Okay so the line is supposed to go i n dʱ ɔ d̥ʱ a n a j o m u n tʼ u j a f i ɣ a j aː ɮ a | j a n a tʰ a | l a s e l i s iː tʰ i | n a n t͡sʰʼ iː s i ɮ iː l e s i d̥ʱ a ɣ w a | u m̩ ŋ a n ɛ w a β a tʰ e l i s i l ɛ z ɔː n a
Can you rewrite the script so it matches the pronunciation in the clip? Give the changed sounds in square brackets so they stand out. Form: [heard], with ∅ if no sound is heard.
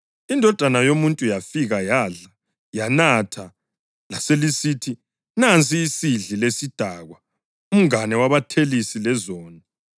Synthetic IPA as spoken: i n dʱ ɔ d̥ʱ a n a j o m u n tʼ u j a f i ɣ a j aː ɮ a | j a n a tʰ a | l a s e l i s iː tʰ i | n a n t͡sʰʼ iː s i ɮ [i] l e s i d̥ʱ a ɣ w a | u m̩ ŋ a n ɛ w a β a tʰ e l i s i l ɛ z ɔː n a